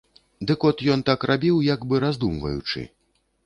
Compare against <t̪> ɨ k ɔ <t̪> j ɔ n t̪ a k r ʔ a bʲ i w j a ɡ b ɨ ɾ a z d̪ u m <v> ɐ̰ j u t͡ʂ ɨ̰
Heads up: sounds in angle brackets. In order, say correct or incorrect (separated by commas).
incorrect, correct, correct